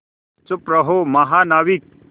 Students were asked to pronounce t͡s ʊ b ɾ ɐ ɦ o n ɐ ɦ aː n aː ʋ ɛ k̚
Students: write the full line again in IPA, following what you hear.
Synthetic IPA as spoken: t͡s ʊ p ɾ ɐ ɦ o m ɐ ɦ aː n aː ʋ i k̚